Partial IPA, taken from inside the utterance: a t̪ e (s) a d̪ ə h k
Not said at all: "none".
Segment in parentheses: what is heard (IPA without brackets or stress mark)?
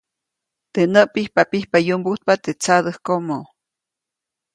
t͡s